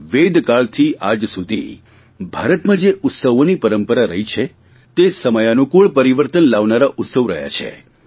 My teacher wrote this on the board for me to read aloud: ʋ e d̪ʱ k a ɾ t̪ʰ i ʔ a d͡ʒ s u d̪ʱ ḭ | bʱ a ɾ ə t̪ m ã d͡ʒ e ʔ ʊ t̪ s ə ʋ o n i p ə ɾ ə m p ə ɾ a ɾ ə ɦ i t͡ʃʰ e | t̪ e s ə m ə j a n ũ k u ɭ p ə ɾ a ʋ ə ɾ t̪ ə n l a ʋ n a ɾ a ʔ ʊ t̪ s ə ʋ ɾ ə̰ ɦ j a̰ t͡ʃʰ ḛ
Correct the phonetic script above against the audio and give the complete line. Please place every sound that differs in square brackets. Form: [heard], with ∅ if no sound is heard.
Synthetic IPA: ʋ e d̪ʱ k a [ɭ] t̪ʰ i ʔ a d͡ʒ s u d̪ʱ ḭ | bʱ a ɾ ə t̪ m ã d͡ʒ e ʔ ʊ t̪ s ə ʋ o n i p ə ɾ ə m p ə ɾ a ɾ ə ɦ i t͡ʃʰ e | t̪ e s ə m ə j a n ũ k u ɭ p ə ɾ [i] ʋ ə ɾ t̪ ə n l a ʋ n a ɾ a ʔ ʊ t̪ s ə ʋ ɾ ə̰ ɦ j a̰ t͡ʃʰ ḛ